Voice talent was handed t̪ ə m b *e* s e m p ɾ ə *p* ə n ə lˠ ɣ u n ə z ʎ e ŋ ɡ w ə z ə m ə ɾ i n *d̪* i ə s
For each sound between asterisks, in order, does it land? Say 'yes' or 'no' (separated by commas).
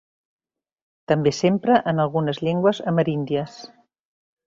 yes, no, yes